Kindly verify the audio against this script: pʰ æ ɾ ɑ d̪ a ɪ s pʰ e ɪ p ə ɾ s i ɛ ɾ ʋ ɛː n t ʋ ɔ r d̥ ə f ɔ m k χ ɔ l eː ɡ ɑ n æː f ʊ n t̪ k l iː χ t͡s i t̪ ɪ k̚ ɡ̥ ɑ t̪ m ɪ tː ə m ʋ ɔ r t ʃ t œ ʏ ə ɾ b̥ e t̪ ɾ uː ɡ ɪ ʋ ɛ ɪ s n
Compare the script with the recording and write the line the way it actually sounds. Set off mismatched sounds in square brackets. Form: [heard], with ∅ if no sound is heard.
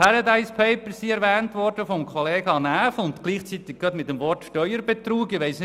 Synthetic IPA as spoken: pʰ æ ɾ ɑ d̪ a ɪ s pʰ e ɪ p ə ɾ s i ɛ ɾ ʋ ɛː n t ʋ ɔ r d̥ ə f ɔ m k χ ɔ l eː ɡ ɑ n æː f ʊ n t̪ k l iː χ t͡s i t̪ ɪ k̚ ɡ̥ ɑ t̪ m ɪ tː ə m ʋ ɔ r t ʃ t œ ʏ ə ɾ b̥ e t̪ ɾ uː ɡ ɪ ʋ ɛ ɪ s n